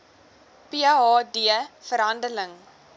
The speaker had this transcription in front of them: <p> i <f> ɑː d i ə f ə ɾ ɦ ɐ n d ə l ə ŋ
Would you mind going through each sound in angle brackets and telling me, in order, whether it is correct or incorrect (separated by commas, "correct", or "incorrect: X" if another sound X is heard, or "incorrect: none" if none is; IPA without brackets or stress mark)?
correct, incorrect: none